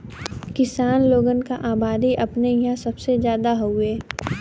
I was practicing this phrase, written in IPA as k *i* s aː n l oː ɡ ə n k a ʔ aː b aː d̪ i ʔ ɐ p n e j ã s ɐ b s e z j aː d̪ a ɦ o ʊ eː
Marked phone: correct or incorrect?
incorrect